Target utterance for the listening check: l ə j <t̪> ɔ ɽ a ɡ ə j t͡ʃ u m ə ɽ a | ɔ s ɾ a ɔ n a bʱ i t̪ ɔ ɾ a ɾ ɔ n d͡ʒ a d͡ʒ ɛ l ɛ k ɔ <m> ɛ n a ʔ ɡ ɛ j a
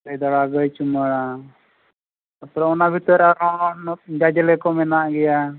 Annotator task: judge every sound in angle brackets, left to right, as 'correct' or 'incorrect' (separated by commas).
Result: incorrect, correct